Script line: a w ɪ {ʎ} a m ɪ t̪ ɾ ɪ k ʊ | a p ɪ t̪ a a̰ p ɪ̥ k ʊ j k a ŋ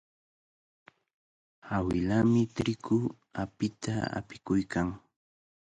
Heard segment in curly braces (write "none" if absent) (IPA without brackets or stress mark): l